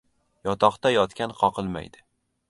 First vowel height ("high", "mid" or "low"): low